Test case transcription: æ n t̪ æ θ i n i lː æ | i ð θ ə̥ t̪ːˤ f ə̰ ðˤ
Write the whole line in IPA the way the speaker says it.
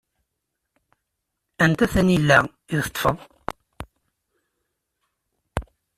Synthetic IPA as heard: æ n t̪ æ θ æ n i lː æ | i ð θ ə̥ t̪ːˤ f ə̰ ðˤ